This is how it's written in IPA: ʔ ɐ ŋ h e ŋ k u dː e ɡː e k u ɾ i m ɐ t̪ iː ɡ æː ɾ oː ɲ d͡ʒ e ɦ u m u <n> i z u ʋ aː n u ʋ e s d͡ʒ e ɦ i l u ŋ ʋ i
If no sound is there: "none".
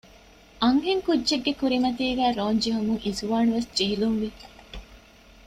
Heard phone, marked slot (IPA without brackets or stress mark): ŋ